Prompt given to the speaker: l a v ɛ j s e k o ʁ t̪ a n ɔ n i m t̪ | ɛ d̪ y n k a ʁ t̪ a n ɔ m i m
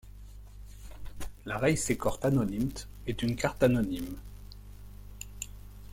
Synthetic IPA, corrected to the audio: l a ʁ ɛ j s e k ɔ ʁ t̪ a n ɔ n i m t̪ | ɛ t̪ y n k a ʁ t̪ a n ɔ n i m